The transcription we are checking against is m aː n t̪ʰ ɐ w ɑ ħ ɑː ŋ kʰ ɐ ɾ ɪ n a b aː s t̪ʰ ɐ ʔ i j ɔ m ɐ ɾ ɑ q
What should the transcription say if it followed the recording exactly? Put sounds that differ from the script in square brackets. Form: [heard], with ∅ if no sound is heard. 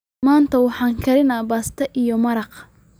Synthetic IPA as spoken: m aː n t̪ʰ ɐ w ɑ ħ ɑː ŋ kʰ ɐ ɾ ɪ n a b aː s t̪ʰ ɐ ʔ i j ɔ m ɐ ɾ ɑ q